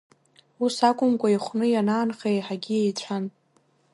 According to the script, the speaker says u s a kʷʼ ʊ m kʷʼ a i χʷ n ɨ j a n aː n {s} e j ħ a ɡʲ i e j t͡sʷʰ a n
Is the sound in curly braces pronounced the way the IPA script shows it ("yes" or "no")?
no